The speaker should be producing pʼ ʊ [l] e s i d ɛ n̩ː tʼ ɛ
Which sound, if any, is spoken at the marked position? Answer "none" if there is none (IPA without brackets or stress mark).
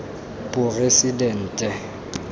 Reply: r